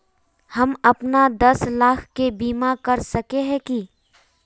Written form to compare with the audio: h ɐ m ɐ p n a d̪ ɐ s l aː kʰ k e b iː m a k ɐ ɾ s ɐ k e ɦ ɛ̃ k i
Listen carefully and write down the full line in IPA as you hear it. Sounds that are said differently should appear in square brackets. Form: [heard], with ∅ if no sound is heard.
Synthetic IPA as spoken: h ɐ m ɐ p n a d̪ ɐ s l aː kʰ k e b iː m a k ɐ ɾ s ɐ k e ɦ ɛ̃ k i